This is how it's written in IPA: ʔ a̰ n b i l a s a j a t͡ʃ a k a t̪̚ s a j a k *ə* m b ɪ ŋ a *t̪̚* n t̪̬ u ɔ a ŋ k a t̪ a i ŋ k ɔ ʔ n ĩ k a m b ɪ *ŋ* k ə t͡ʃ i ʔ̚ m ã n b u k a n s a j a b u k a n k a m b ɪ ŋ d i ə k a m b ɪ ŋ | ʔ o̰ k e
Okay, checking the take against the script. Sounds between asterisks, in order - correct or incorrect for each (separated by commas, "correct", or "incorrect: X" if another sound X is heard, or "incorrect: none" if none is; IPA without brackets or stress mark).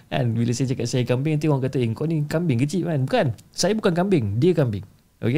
incorrect: a, incorrect: none, correct